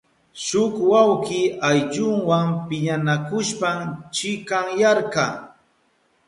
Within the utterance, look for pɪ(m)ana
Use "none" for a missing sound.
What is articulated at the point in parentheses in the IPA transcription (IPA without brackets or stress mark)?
ɲ